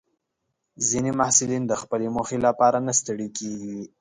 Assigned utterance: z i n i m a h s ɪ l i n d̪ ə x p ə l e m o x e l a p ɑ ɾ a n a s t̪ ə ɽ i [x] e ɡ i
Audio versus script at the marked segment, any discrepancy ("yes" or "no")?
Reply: yes